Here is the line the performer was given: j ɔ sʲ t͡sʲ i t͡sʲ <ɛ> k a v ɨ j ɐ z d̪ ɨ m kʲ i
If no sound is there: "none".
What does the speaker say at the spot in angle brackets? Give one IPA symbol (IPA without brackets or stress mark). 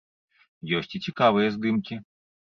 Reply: i